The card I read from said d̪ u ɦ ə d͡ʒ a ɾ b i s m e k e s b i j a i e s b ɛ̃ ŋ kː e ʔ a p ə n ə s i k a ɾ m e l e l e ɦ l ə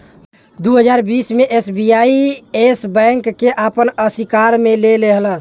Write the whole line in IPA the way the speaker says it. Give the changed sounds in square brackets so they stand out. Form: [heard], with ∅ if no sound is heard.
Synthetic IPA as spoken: d̪ u ɦ ə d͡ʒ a ɾ b i s m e [ʔ] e s b i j a i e s b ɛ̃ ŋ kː e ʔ a p ə n ə s i k a ɾ m e l e l e ɦ l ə